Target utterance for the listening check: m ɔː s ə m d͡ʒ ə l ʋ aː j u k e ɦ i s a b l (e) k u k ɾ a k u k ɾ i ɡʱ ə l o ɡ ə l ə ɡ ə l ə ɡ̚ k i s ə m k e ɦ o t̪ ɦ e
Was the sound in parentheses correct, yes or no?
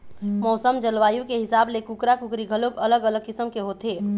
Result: yes